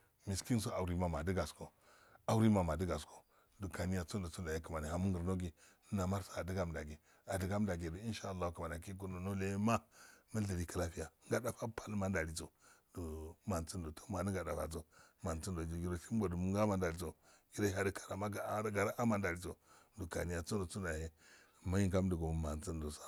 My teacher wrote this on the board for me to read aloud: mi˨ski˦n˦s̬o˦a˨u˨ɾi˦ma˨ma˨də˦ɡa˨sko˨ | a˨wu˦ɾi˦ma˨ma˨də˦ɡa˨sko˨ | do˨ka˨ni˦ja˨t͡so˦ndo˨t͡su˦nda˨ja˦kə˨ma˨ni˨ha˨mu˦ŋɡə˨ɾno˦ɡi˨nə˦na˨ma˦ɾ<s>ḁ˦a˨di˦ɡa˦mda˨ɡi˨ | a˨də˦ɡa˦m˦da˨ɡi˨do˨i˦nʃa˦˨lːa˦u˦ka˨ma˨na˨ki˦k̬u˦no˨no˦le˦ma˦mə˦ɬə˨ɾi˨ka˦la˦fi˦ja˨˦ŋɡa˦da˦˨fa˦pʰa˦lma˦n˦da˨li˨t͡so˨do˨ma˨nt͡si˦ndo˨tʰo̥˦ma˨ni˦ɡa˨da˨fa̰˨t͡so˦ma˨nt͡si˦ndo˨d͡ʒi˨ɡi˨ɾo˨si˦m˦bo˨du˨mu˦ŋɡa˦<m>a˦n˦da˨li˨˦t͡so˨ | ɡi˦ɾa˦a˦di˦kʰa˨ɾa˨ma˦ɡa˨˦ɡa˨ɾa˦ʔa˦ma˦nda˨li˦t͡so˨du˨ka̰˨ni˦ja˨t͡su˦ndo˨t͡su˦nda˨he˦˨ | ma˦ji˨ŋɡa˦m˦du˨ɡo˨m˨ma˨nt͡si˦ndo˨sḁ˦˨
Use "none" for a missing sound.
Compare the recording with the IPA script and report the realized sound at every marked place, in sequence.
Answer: s, m

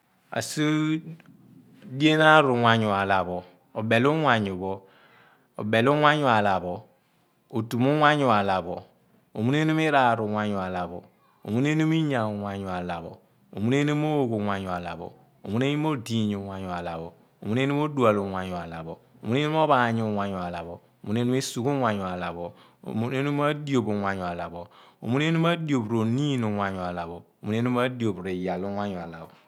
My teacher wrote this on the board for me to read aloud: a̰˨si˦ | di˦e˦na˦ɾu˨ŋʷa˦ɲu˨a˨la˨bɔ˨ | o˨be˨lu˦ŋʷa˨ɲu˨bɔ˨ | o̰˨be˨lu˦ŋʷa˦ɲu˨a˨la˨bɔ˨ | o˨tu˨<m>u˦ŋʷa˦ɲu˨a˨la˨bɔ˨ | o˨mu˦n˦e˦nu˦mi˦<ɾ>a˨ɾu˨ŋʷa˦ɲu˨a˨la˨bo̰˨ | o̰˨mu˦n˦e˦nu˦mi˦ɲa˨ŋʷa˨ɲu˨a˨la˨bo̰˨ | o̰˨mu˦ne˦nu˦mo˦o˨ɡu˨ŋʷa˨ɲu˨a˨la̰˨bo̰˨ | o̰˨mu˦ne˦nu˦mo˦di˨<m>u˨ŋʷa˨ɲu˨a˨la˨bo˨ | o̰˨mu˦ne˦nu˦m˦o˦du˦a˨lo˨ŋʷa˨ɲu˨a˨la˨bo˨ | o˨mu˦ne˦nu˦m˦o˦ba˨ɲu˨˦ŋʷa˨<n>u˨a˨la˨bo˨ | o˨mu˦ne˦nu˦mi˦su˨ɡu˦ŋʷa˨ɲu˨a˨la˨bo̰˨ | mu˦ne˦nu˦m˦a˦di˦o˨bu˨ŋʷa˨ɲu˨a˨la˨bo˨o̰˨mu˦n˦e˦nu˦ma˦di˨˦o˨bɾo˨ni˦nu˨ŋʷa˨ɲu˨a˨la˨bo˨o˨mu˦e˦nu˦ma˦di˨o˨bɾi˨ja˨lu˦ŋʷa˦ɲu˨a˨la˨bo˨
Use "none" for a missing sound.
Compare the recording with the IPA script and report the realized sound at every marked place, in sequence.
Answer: m, ɾ, ɲ, ɲ

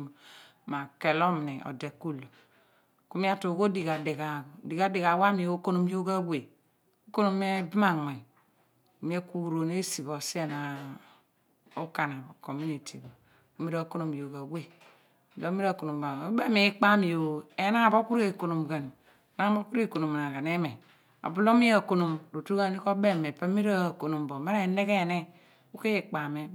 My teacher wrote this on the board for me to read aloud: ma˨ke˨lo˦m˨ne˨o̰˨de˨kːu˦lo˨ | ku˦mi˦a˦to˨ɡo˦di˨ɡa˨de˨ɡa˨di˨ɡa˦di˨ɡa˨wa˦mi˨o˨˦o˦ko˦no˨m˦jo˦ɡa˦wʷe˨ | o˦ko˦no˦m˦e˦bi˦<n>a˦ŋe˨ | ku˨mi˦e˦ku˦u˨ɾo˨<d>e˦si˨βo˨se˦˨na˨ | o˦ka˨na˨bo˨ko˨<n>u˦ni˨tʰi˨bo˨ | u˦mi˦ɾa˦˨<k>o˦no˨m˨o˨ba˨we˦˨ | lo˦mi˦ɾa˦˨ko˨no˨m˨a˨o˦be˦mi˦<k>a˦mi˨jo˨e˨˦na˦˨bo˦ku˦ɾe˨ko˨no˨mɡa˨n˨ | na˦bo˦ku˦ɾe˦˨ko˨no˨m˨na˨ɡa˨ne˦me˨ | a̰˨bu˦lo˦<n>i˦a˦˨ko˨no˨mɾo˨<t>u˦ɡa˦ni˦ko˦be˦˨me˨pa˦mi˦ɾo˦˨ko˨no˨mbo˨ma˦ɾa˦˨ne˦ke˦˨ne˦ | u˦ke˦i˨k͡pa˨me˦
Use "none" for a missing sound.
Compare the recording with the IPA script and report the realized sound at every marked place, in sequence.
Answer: m, n, m, k, k͡p, m, t

